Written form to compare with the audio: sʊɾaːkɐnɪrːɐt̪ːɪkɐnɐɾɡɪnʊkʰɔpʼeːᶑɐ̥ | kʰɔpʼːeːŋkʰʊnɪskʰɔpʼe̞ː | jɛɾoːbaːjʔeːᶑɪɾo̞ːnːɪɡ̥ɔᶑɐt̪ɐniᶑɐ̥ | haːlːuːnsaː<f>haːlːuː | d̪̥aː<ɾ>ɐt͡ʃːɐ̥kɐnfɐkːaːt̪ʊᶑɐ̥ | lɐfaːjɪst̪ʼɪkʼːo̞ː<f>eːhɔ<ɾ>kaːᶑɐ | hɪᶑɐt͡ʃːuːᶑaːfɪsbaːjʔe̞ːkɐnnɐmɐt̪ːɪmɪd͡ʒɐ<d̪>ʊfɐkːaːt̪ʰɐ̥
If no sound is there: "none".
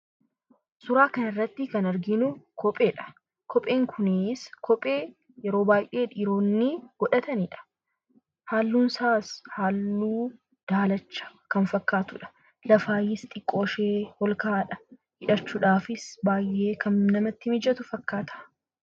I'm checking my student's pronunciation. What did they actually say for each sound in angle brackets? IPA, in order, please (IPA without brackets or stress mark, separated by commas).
s, l, ʃ, l, t̪